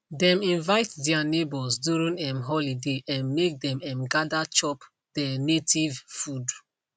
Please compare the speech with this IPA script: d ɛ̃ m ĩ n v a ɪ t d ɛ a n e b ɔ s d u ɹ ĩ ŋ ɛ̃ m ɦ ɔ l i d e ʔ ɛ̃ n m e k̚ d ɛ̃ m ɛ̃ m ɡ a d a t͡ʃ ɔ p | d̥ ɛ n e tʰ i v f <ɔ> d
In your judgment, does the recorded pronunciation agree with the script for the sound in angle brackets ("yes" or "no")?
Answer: no